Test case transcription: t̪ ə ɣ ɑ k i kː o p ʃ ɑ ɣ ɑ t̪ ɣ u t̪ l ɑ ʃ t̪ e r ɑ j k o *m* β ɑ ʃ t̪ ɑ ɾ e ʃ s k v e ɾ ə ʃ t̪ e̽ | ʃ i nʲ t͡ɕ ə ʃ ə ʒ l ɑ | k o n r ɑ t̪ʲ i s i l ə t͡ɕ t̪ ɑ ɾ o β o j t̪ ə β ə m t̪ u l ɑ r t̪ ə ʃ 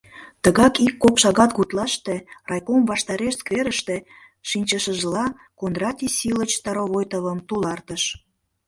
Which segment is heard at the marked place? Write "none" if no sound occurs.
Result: m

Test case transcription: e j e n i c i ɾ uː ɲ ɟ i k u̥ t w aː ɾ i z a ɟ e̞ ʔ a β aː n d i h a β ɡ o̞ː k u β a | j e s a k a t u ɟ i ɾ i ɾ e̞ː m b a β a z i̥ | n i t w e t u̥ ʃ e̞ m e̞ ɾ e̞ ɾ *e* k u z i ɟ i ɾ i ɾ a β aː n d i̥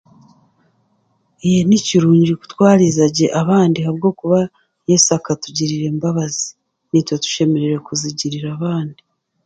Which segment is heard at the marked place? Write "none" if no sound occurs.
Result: e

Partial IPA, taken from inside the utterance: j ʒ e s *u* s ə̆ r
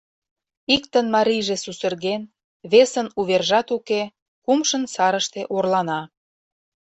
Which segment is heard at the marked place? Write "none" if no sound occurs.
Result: u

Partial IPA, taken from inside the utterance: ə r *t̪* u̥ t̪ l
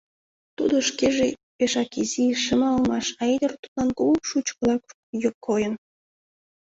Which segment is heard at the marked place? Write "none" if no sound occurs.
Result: t̪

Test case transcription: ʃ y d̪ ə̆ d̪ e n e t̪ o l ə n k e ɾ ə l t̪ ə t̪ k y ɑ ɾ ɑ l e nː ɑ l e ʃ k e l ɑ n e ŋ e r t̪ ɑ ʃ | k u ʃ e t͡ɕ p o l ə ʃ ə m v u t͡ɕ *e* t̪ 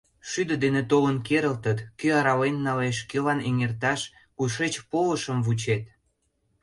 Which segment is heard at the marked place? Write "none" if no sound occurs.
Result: e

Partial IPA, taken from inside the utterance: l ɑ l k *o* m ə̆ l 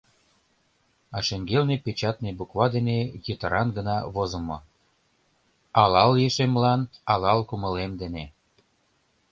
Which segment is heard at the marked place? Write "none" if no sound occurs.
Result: u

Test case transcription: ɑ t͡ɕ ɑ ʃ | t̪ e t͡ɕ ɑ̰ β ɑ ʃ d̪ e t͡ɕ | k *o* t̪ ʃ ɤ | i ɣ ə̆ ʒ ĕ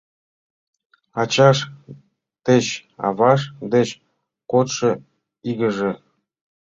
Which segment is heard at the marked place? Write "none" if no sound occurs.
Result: o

